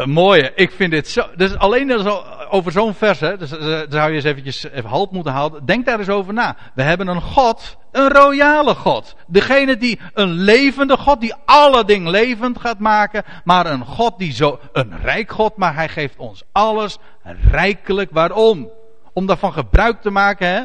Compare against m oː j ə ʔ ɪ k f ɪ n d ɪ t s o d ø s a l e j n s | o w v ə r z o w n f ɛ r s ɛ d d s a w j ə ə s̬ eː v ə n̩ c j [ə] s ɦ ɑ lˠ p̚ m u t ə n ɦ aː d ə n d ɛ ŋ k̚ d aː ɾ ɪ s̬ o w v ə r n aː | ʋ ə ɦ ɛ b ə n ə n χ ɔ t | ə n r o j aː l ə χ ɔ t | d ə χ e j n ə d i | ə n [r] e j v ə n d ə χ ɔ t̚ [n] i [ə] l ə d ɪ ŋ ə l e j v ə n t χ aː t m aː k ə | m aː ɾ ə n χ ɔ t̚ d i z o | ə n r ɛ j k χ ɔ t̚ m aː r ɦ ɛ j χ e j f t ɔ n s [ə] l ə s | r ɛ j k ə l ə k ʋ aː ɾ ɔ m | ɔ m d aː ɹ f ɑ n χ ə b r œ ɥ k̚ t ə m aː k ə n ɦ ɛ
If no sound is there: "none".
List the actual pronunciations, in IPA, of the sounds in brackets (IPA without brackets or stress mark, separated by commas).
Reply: ə, l, d, ɑ, ɑ